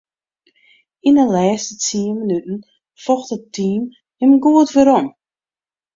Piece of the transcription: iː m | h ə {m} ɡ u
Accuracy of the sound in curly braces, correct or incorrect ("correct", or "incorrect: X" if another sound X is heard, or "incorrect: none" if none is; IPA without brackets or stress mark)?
correct